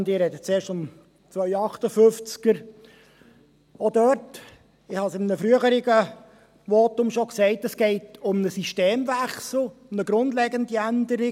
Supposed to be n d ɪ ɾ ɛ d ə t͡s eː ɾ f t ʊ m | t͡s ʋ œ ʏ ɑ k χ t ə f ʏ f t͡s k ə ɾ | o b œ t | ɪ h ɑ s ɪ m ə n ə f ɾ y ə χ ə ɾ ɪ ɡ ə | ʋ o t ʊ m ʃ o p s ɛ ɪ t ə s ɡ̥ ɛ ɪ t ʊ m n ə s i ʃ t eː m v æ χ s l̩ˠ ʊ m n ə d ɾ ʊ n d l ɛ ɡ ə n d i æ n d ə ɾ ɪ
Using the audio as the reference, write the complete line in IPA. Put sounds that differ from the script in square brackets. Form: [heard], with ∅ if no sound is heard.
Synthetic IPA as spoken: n d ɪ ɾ ɛ d ə t͡s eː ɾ [ʃ] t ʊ m | t͡s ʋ œ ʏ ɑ [∅] χ t ə f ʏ f t͡s k ə ɾ | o [d] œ t | ɪ h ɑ s ɪ m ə n ə f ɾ y ə χ ə ɾ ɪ ɡ ə | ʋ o t ʊ m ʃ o [k] s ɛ ɪ t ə s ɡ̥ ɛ ɪ t ʊ m n ə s i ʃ t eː m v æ χ s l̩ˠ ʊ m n ə [ɡ] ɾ ʊ n d l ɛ ɡ ə n d i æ n d ə ɾ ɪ